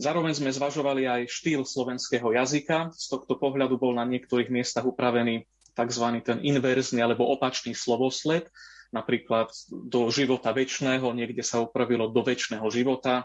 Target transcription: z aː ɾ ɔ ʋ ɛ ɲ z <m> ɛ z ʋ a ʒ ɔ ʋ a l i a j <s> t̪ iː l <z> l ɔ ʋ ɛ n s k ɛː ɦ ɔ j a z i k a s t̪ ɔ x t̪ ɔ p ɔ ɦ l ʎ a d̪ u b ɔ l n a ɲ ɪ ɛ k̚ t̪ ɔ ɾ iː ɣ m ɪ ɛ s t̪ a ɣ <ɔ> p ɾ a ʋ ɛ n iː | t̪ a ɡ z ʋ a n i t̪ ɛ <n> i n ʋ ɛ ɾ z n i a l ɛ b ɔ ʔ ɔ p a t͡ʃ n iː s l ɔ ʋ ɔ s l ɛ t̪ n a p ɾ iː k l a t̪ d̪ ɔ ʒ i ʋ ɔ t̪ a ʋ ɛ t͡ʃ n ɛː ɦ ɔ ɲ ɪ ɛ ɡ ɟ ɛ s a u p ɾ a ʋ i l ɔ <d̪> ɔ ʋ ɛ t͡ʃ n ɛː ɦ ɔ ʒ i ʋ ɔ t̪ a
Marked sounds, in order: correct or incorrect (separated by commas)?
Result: correct, incorrect, incorrect, incorrect, correct, correct